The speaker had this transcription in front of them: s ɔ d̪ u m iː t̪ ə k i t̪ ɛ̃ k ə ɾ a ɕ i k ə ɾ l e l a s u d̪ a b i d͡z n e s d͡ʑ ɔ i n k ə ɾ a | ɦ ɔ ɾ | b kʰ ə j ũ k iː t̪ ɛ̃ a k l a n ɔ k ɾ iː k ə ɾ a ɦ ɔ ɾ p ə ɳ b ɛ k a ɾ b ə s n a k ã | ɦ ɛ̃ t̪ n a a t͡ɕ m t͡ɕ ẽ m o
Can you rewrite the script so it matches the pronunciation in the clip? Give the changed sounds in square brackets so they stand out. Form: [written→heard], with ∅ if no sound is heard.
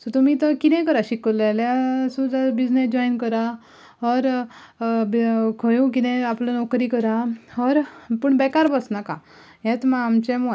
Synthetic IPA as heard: s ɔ [d̪→t̪] u m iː t̪ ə k i t̪ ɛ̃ k ə ɾ a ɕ i k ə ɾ l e l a s u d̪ a b i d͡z n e s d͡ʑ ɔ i n k ə ɾ a | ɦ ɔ ɾ | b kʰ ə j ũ k [iː→i] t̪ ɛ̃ a [k→p] l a n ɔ k ɾ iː k ə ɾ a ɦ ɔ ɾ p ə ɳ b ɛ k a ɾ b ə s n a k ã | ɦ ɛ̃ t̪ [n→m] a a [t͡ɕ→∅] m t͡ɕ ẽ m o